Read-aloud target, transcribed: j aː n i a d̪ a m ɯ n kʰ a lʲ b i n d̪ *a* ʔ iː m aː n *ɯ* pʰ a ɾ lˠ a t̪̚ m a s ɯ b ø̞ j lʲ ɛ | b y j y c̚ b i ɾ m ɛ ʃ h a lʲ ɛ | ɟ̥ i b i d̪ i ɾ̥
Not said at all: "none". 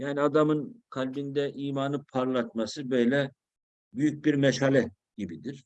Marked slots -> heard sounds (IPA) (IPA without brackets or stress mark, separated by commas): ɛ, ɯ